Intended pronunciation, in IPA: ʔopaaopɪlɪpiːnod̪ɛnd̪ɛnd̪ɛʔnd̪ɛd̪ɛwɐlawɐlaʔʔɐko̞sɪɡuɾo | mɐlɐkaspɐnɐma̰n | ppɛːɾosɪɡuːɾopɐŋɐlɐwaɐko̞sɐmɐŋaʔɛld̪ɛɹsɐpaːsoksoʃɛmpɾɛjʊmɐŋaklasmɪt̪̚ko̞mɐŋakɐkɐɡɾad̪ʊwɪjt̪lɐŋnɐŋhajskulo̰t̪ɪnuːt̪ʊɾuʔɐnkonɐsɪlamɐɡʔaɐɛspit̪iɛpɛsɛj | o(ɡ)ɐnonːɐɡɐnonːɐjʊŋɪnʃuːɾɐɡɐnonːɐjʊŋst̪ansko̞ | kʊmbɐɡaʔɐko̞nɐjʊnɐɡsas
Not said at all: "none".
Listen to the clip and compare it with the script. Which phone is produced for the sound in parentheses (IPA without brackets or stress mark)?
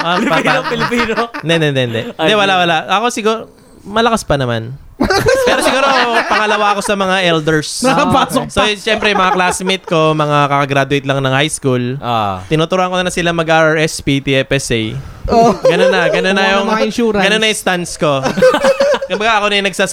ɡ